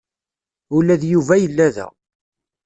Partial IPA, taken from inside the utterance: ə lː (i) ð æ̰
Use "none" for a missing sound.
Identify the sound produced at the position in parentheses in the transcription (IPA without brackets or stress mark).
æ